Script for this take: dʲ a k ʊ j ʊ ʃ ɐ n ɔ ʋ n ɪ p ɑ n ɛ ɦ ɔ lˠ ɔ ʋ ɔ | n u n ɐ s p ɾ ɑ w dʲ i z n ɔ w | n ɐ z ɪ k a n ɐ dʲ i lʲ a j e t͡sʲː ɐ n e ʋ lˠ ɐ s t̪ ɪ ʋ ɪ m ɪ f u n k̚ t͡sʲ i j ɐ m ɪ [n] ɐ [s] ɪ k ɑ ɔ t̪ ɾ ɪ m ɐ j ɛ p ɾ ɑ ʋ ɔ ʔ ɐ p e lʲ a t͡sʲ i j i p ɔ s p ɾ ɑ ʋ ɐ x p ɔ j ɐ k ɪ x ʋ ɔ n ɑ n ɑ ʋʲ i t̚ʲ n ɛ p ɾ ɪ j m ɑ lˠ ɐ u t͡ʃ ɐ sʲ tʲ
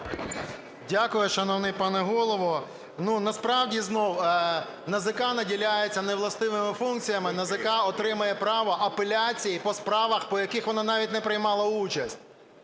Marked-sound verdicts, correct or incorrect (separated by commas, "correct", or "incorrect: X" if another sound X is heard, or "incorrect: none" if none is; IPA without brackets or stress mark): correct, incorrect: z